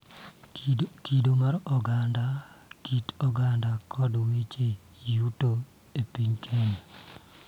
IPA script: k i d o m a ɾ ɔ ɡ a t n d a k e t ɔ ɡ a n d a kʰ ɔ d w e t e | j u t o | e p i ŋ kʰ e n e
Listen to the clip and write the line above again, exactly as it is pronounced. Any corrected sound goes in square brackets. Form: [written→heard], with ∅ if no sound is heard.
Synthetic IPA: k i d o m a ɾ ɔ ɡ a [t→∅] n d a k [e→i] t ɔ ɡ a n d a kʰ ɔ d w e [t→t͡ʃ] e | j u t o | e p i [ŋ→ɲ] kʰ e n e